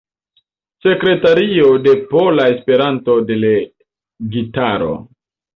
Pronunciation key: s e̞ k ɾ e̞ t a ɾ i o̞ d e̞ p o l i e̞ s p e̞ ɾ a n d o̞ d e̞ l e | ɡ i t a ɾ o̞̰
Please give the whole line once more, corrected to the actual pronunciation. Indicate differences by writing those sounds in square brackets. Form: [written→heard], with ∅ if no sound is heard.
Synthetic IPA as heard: s e̞ k ɾ e̞ t a ɾ i o̞ d e̞ p o l [i→a] e̞ s p e̞ ɾ a n [d→t] o̞ d e̞ l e | ɡ i t a ɾ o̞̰